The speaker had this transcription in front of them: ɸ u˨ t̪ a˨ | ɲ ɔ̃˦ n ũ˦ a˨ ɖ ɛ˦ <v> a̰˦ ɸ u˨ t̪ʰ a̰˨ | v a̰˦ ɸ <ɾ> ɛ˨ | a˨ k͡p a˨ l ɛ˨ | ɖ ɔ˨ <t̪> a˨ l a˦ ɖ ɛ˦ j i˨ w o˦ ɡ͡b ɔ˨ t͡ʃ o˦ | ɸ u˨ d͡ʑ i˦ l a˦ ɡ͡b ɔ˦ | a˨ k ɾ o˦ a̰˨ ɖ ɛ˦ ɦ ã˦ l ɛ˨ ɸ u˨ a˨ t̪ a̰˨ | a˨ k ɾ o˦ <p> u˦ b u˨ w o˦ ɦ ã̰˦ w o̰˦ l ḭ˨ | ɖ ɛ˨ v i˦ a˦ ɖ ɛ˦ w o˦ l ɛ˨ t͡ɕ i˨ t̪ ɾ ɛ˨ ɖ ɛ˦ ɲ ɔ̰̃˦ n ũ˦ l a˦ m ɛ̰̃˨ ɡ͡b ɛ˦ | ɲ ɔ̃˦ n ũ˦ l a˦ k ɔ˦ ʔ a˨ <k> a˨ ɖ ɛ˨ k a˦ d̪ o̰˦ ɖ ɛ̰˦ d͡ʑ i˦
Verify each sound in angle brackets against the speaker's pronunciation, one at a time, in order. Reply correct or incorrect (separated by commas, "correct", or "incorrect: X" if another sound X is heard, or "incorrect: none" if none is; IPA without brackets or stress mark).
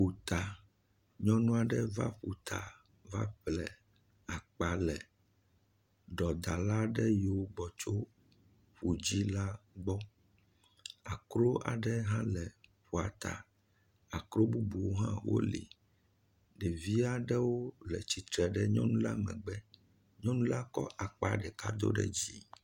correct, incorrect: l, incorrect: d̪, incorrect: b, incorrect: k͡p